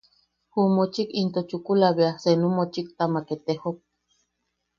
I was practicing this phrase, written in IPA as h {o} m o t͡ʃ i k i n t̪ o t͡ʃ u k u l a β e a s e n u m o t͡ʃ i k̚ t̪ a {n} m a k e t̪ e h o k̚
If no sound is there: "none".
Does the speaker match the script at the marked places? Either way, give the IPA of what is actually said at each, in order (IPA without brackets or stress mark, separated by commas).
u, none